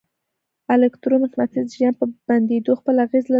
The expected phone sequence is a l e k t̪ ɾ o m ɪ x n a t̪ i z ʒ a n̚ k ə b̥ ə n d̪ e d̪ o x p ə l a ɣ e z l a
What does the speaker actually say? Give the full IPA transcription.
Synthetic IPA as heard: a l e k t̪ ɾ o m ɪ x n a t̪ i z ʒ a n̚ p ə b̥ a n d̪ e d̪ o x p ə l a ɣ e z l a